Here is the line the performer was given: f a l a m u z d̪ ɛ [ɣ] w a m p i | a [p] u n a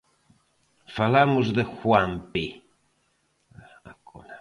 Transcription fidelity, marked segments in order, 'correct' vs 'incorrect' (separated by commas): incorrect, incorrect